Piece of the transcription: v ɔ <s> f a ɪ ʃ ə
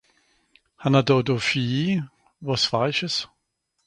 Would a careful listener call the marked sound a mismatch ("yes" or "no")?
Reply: no